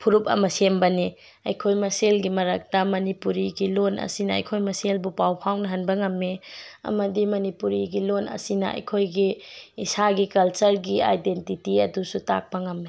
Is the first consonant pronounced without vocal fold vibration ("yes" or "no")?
yes